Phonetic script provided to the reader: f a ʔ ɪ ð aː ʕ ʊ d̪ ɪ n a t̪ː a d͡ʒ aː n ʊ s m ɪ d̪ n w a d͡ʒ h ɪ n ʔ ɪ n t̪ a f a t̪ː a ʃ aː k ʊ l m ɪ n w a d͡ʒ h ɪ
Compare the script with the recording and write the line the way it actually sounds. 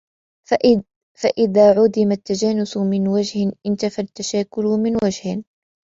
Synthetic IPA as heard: f a ʔ ɪ ð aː ʕ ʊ d̪ ɪ m a t̪ː a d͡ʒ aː n ʊ s m ɪ n w a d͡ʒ h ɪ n ʔ ɪ n t̪ a f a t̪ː a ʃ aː k ʊ l m ɪ n w a d͡ʒ h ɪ